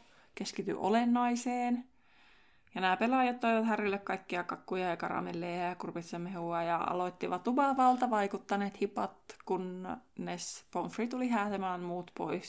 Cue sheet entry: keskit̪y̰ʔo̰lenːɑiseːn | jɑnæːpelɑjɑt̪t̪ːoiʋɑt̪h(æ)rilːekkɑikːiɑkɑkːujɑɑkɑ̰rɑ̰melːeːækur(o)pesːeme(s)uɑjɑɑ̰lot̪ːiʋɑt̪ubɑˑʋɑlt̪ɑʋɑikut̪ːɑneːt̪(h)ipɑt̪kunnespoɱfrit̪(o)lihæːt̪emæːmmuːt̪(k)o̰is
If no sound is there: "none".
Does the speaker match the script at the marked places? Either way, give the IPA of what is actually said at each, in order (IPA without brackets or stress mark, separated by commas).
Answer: æ, u, h, h, u, p